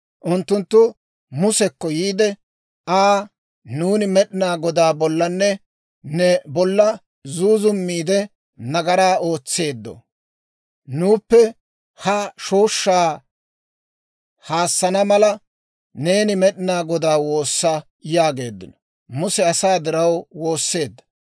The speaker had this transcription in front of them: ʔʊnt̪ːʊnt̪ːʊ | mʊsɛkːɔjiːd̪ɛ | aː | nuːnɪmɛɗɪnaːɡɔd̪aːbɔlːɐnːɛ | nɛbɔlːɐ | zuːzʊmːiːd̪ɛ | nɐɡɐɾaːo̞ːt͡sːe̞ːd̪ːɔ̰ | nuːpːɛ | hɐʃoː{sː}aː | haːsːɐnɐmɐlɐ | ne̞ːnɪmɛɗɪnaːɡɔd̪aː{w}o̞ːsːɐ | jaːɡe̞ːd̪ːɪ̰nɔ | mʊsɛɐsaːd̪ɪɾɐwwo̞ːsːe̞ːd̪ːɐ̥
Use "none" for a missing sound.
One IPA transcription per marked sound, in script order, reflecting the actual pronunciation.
ʃː, w

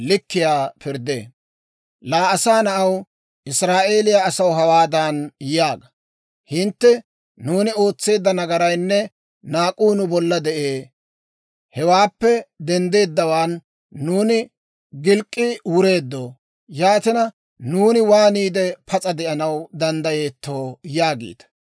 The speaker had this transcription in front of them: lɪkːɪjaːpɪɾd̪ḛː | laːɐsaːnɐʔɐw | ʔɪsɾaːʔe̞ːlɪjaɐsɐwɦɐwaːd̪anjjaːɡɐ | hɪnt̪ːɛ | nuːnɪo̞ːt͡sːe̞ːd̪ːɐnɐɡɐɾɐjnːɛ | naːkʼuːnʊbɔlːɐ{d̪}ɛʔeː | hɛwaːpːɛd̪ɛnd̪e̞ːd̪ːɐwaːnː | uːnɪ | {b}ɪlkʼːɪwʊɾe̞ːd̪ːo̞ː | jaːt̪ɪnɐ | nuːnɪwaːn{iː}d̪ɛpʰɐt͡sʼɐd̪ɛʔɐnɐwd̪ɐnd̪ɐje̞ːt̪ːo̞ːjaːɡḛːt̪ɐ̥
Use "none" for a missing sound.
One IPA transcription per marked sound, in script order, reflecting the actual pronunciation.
d̪, ɡ, iː

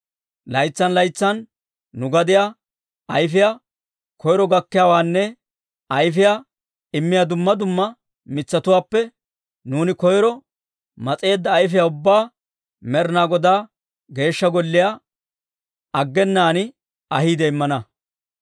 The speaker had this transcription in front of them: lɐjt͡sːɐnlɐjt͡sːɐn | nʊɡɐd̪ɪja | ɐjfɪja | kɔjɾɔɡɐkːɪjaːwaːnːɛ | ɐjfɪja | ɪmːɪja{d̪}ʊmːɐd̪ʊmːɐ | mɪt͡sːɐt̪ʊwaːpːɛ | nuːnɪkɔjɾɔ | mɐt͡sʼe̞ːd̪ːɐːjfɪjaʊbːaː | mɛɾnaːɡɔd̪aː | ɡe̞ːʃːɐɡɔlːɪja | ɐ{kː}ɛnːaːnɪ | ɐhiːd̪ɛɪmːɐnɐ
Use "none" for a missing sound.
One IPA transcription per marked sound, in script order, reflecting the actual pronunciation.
d̪, ɡː

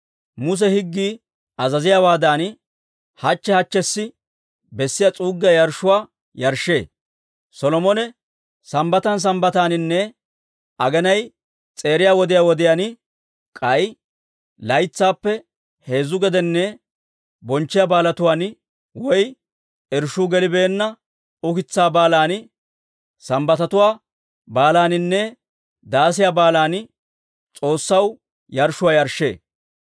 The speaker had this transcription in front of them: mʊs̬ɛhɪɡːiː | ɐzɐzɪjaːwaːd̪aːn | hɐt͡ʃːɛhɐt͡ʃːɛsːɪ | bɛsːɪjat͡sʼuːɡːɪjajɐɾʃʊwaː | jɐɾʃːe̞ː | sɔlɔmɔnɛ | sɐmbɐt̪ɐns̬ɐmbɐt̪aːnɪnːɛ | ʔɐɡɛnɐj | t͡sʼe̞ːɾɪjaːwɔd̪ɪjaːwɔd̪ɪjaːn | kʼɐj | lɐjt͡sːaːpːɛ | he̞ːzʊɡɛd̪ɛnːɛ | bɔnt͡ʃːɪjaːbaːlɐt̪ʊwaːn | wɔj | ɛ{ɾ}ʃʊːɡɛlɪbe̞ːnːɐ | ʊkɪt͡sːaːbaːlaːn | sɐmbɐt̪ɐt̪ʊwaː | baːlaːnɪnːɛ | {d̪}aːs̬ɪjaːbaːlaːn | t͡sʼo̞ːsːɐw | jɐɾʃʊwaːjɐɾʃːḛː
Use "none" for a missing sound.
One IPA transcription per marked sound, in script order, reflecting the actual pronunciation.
ɾ, d̪

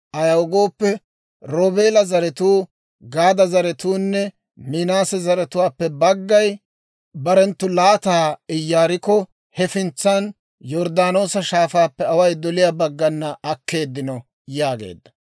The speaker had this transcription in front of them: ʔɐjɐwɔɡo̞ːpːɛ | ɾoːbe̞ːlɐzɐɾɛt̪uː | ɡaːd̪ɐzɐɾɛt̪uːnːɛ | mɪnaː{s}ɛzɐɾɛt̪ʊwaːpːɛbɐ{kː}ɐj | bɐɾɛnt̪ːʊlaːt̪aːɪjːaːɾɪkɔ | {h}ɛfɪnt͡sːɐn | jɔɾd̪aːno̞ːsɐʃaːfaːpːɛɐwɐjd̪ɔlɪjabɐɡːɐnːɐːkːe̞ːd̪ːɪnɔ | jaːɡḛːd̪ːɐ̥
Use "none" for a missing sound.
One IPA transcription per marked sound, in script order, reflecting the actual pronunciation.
s, ɡː, h

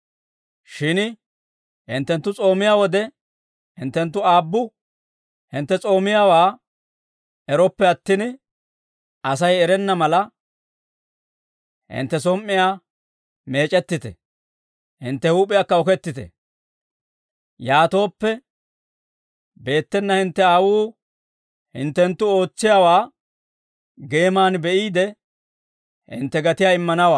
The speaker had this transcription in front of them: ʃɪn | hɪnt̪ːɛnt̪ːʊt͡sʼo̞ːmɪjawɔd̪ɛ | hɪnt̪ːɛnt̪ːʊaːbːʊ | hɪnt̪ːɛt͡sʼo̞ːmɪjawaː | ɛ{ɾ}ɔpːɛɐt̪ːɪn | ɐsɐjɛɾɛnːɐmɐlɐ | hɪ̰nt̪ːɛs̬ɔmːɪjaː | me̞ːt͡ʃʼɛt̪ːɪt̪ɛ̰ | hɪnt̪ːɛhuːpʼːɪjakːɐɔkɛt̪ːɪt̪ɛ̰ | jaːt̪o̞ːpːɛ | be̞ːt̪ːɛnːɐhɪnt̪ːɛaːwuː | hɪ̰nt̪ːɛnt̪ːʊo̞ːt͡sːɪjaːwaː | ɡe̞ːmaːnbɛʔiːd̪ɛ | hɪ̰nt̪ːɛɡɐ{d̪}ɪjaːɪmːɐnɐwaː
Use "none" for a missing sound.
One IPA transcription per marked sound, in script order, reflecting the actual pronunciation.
ɾ, t̪

